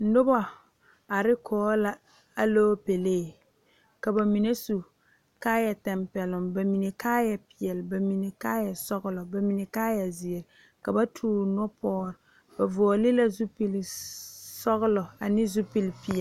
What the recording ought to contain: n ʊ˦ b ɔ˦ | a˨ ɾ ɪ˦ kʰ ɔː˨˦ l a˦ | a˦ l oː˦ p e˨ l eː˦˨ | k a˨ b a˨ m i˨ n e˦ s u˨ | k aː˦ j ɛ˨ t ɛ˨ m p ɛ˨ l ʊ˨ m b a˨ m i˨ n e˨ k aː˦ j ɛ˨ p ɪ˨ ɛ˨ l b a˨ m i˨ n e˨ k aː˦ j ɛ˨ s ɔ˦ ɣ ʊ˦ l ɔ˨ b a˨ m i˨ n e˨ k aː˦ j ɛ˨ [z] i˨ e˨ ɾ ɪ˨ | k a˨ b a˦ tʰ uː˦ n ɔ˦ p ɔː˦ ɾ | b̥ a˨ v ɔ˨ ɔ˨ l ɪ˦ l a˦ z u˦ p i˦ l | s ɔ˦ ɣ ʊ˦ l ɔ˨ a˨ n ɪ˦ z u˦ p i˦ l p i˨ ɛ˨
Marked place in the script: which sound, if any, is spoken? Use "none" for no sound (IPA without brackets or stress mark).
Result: z